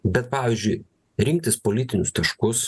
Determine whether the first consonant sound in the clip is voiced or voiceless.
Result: voiced